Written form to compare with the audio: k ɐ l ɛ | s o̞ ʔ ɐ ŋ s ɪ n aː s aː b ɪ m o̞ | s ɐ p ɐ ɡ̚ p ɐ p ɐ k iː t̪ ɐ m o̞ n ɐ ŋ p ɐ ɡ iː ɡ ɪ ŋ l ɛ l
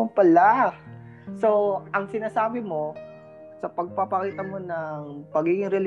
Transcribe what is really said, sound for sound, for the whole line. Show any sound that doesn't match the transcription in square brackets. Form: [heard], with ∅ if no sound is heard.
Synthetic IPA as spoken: [p] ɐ l [a] | s o̞ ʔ ɐ ŋ s ɪ n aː s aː b ɪ m o̞ | s ɐ p ɐ ɡ̚ p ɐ p ɐ k iː t̪ ɐ m o̞ n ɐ ŋ p ɐ ɡ iː ɡ ɪ ŋ [ɾ] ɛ l